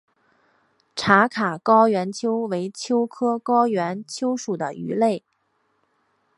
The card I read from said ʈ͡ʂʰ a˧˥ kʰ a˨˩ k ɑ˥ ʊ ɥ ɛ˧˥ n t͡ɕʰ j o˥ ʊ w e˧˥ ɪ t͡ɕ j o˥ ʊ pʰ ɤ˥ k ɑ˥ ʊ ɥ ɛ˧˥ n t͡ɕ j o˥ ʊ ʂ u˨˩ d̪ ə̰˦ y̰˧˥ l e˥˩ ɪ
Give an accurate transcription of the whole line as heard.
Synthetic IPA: ʈ͡ʂʰ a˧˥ kʰ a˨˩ k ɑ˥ ʊ ɥ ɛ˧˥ n t͡ɕʰ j o˥ ʊ w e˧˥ ɪ t͡ɕʰ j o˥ ʊ kʰ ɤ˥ k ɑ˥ ʊ ɥ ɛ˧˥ n t͡ɕʰ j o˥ ʊ ʂ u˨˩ d̪ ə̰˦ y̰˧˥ l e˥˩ ɪ